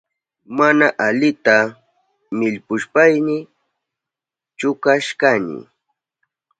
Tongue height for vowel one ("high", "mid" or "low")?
low